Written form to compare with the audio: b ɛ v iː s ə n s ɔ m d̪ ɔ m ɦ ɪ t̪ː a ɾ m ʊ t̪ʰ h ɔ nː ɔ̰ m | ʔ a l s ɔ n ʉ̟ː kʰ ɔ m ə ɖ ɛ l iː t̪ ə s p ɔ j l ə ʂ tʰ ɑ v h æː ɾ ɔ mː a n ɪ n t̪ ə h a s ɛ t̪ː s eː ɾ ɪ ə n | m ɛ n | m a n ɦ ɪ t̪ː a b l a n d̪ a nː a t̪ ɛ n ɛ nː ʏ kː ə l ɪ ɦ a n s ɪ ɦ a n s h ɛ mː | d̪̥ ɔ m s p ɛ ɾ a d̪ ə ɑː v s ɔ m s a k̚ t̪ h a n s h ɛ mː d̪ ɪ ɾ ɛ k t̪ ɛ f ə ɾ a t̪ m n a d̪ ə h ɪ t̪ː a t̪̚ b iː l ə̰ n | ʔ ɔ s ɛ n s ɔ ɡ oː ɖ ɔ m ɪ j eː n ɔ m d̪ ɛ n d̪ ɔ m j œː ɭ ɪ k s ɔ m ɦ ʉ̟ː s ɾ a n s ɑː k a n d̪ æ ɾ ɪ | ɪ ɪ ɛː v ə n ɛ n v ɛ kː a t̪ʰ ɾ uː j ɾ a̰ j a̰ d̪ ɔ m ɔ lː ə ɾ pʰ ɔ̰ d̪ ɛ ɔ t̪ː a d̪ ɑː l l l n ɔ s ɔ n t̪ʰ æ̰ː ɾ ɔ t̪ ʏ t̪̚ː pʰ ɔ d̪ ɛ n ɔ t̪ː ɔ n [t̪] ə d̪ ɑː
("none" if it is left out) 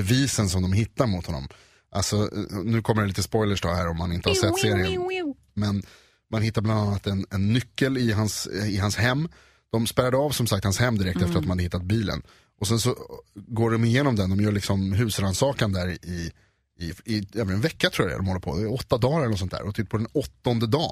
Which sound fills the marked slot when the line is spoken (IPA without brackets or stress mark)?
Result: d̪